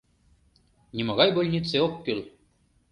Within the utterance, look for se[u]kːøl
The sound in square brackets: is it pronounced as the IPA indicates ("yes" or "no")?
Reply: no